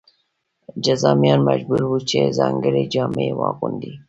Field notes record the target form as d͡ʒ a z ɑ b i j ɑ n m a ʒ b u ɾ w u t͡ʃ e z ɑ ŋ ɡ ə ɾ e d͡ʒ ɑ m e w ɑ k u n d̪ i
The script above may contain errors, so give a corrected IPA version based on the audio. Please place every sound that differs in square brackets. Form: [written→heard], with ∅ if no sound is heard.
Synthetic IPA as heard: d͡ʒ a z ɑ [b→m] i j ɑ n m a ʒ b u ɾ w u t͡ʃ e z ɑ ŋ ɡ ə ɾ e d͡ʒ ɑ m e w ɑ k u n d̪ i